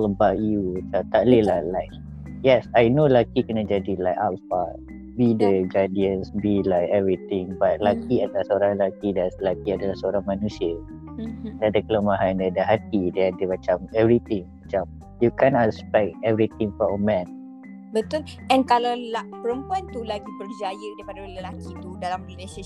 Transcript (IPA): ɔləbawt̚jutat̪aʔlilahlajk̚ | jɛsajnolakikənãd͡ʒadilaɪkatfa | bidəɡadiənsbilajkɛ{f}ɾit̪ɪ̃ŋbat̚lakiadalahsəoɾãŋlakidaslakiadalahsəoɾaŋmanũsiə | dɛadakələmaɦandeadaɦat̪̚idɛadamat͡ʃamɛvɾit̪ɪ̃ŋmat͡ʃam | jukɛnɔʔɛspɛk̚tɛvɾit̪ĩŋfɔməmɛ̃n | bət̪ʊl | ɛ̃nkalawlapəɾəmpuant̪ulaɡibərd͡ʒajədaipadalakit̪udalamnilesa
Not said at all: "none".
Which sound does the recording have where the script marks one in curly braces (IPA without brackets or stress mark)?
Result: v